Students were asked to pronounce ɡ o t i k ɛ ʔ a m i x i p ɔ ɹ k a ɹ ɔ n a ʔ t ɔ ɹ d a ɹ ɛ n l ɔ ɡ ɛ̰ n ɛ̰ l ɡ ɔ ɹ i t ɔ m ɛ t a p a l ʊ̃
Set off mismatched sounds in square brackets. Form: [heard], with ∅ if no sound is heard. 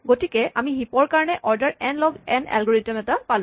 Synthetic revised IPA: ɡ o t i k ɛ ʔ a m i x i p ɔ ɹ k a ɹ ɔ n [ɛ] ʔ [ʔ] ɔ ɹ d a ɹ ɛ n l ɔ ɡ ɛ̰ n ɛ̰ l ɡ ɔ ɹ i t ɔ m ɛ t a p a l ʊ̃